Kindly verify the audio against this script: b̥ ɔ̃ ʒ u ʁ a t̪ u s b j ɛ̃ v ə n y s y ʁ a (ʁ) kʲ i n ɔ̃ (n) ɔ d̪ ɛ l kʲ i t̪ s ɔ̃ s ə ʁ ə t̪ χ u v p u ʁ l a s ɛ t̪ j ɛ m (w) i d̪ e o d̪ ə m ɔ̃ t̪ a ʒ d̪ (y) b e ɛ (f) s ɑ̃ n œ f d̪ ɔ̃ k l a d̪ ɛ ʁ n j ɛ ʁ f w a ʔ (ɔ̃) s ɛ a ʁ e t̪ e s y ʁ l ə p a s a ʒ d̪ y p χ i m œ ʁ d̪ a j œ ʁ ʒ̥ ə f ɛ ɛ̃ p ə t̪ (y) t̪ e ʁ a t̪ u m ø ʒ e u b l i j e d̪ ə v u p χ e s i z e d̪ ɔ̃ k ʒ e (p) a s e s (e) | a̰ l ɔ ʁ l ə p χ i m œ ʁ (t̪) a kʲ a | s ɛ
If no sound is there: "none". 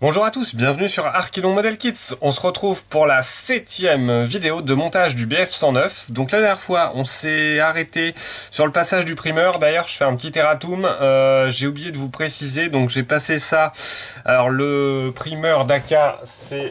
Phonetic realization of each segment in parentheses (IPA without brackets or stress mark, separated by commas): ʁ, m, v, y, f, ɔ̃, i, p, a, d̪